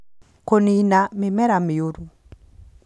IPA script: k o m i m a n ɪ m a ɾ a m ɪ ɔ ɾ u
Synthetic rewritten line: k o n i n a m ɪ m ɛ ɾ a m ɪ o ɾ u